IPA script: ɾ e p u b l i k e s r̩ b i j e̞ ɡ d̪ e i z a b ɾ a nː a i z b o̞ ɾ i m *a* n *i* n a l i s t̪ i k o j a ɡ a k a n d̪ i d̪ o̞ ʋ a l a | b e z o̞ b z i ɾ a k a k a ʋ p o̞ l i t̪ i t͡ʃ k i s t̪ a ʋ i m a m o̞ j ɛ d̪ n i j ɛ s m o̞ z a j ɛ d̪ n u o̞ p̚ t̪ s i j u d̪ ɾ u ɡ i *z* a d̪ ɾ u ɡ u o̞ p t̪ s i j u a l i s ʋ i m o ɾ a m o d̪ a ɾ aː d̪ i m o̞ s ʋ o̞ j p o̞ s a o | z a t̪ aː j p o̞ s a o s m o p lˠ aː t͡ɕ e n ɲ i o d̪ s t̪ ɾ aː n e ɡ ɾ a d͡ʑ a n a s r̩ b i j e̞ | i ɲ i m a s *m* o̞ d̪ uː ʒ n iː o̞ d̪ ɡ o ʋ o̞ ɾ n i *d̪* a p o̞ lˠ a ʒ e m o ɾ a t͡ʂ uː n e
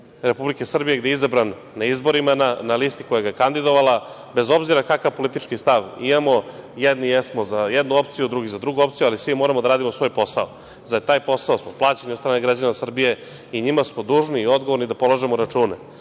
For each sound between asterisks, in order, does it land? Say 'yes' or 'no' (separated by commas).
yes, no, yes, yes, yes